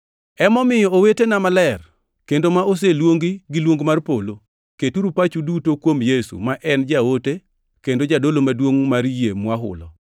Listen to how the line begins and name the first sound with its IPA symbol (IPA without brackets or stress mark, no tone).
ɛ